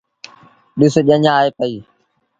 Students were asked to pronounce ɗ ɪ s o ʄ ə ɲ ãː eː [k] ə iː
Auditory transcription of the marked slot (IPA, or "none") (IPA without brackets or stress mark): p